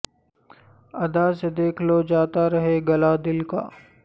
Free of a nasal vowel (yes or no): yes